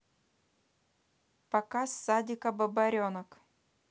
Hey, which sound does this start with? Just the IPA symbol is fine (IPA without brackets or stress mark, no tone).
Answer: p